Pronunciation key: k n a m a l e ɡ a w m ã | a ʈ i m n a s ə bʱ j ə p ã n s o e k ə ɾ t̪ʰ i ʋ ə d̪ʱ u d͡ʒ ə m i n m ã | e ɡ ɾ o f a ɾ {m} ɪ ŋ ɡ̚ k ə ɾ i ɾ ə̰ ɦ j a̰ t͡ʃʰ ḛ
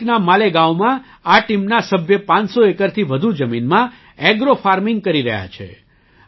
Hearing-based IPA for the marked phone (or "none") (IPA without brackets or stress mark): m